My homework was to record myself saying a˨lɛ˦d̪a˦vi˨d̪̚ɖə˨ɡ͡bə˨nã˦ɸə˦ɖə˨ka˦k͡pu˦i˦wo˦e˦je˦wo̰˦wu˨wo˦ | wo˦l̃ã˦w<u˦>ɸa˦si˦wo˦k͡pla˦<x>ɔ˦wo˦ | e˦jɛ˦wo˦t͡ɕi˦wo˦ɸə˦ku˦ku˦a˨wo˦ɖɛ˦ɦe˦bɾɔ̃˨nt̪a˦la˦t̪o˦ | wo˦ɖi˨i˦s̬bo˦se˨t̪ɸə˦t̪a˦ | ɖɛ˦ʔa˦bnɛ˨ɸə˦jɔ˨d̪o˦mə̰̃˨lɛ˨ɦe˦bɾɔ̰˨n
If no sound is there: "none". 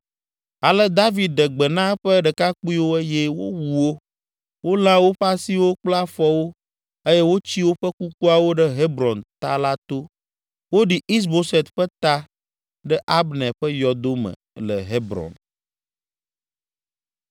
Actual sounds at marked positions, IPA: o˦, f

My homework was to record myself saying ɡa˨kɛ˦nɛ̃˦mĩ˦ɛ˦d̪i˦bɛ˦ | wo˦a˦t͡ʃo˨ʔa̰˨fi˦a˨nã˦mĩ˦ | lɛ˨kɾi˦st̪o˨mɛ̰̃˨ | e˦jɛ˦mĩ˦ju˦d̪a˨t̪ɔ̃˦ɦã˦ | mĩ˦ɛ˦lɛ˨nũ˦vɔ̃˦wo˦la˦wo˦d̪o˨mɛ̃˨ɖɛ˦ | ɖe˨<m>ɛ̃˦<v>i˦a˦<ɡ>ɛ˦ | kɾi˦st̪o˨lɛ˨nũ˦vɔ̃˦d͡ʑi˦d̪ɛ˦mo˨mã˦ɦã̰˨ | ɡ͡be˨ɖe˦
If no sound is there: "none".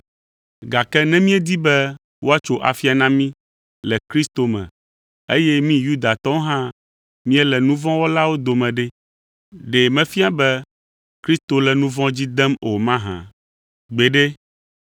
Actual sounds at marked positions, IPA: m, f, b

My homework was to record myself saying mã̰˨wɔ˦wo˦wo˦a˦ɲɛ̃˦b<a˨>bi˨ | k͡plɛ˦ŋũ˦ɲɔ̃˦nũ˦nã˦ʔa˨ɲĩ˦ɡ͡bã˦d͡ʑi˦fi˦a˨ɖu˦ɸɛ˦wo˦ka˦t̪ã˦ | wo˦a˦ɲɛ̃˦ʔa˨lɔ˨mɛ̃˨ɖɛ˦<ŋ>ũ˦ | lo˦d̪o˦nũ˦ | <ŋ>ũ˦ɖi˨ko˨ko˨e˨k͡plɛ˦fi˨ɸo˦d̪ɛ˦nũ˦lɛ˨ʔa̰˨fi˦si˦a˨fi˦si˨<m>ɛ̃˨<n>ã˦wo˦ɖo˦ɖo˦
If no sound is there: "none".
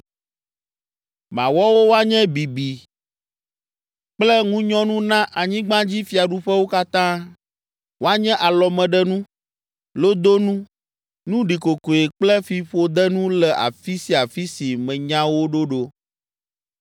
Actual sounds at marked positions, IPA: i˨, n, n, m, ɲ

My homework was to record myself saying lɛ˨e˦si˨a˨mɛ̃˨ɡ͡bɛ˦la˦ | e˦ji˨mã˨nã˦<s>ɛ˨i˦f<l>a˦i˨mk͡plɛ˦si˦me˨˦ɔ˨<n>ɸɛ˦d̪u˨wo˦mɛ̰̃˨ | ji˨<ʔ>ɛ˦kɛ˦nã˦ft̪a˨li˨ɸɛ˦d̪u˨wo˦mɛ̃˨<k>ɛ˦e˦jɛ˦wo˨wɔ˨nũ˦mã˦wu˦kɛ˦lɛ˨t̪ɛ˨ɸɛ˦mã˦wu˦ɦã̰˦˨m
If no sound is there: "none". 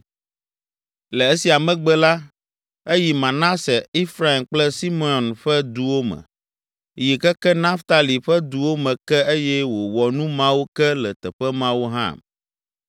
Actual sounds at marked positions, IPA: s, ɾ, n, k, k

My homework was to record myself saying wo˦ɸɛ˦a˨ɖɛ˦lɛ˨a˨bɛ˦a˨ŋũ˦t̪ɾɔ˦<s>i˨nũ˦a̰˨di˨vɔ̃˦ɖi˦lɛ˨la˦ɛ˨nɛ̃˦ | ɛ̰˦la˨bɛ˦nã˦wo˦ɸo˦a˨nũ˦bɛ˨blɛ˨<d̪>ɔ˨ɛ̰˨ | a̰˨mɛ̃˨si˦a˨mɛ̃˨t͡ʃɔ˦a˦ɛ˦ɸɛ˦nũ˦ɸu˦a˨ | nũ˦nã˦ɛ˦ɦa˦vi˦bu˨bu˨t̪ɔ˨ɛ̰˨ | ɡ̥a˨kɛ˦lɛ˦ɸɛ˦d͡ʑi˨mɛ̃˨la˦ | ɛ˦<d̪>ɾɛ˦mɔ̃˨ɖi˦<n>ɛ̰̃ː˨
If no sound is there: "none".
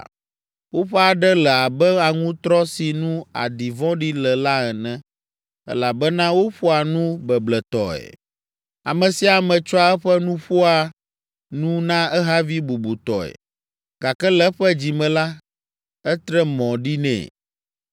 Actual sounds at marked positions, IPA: s, t̪, t̪, n

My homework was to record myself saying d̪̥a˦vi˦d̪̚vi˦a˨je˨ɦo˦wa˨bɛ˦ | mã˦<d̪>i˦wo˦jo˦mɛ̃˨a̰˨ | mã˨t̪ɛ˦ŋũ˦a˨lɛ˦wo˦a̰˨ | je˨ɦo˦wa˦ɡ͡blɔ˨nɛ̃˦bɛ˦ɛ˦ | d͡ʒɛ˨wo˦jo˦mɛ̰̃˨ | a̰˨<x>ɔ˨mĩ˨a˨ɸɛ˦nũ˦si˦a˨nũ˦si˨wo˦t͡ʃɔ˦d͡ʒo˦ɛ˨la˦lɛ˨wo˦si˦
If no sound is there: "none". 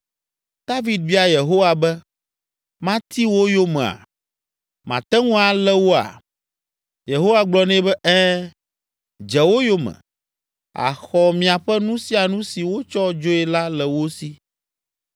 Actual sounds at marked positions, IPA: t̪, x

